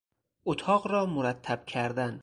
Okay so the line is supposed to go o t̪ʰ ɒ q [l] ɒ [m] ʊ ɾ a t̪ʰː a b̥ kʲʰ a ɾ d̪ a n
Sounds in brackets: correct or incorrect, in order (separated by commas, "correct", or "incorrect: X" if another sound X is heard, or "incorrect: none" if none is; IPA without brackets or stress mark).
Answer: incorrect: ɾ, correct